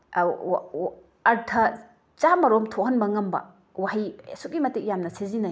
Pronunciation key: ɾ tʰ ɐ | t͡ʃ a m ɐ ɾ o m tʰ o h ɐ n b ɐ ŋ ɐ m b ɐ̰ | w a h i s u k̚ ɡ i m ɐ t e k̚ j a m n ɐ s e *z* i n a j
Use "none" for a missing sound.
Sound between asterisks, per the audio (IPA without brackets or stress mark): z